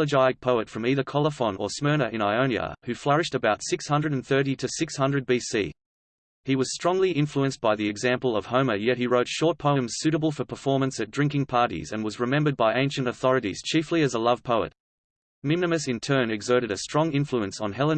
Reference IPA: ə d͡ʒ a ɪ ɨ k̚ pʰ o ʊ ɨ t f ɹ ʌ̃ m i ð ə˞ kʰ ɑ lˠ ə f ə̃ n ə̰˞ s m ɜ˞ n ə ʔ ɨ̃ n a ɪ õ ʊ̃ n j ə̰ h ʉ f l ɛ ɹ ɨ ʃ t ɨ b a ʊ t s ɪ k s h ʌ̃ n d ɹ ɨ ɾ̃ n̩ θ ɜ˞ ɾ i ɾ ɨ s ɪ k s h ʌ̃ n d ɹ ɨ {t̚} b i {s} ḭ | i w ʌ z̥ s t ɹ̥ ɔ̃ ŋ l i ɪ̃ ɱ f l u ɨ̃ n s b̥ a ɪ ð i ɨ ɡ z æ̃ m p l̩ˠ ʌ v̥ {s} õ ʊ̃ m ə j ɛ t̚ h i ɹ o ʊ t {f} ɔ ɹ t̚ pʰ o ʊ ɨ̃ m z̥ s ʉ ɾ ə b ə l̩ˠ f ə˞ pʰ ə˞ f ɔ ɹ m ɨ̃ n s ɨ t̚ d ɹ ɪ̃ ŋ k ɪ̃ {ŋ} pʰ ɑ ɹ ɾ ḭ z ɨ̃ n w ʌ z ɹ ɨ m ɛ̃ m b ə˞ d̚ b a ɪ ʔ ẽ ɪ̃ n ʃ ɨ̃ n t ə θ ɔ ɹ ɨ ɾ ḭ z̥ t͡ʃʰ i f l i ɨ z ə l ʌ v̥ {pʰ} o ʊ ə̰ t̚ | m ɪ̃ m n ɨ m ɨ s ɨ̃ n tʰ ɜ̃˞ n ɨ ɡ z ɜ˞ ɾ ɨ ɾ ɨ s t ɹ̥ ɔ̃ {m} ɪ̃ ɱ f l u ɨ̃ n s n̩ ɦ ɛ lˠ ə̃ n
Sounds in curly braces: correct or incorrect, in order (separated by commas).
incorrect, correct, incorrect, incorrect, correct, correct, incorrect